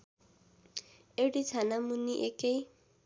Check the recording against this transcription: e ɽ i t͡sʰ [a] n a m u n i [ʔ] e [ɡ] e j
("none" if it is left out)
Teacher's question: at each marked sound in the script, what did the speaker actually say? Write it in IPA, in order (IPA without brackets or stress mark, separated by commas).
a, ʔ, k